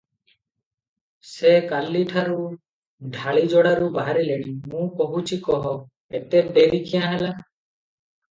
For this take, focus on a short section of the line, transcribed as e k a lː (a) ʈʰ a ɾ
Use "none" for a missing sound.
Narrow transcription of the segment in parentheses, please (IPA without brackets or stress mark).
i